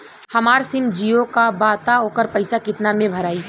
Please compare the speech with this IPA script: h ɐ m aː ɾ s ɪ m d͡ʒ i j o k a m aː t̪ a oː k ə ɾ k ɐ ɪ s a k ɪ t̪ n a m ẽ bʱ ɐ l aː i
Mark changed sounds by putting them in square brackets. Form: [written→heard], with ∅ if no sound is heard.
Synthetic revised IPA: h ɐ m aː ɾ s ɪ m d͡ʒ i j o k a [m→b] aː t̪ a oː k ə ɾ [k→p] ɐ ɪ s a k ɪ t̪ n a m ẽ bʱ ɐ [l→ɾ] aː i